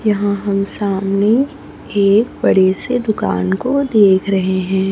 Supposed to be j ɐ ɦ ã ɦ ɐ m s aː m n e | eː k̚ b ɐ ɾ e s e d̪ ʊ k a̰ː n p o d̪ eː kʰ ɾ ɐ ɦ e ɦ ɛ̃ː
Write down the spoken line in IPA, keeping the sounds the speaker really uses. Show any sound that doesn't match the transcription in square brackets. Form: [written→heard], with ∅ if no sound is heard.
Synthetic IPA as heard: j ɐ ɦ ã ɦ ɐ m s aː m n e | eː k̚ b ɐ [ɾ→ɽ] e s e d̪ ʊ k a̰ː n [p→k] o d̪ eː kʰ ɾ ɐ ɦ e ɦ ɛ̃ː